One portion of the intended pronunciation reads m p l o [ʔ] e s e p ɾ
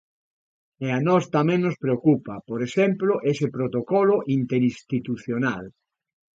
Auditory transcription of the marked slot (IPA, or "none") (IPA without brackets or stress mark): ʔ